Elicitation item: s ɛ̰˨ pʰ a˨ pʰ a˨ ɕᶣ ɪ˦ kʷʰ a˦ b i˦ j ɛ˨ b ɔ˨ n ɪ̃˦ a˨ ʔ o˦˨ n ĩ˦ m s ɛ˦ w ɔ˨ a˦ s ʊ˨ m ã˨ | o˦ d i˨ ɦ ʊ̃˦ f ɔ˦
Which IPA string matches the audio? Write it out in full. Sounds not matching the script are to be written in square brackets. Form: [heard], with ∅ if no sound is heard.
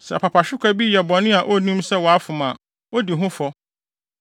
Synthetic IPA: s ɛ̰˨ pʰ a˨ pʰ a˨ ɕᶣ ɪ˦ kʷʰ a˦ b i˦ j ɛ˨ b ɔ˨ n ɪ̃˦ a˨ ʔ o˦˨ n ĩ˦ m s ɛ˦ w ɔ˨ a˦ [f] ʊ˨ m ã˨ | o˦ d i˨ ɦ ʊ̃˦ f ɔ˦